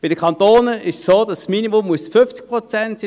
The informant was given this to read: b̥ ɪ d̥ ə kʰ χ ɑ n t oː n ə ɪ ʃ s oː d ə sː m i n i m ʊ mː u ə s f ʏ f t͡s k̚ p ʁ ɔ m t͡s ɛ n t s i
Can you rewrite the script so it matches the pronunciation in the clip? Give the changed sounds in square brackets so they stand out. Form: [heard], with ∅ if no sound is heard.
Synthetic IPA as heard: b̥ ɪ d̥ ə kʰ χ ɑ n t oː n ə ɪ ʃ s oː d [ɑ] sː m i n i m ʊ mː u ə s f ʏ f t͡s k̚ p ʁ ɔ [∅] t͡s ɛ n t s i